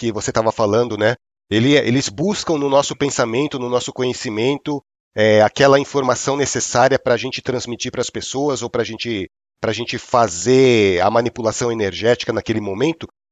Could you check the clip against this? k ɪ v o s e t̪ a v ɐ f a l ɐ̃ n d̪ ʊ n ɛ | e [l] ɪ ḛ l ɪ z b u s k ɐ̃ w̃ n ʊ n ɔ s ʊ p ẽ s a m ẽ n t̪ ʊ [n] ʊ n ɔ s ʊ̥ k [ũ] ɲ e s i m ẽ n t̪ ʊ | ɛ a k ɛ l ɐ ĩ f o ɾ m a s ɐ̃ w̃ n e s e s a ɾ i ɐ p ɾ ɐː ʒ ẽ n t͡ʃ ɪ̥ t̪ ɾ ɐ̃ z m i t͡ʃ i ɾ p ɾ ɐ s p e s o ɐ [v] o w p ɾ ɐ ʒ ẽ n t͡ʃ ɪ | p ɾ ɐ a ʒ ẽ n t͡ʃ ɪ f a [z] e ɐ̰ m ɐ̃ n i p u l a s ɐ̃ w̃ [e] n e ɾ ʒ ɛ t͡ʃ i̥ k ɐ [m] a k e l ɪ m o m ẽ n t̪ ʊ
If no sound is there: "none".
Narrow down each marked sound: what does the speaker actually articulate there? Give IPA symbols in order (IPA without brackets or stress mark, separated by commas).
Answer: l, n, õ, z, z, e, n